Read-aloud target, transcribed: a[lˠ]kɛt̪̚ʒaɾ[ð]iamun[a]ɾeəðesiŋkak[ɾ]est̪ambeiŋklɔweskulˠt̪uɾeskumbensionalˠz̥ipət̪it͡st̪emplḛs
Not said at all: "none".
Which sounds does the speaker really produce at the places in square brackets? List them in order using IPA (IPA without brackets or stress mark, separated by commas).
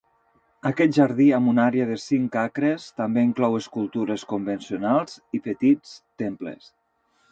none, ð, a, ɾ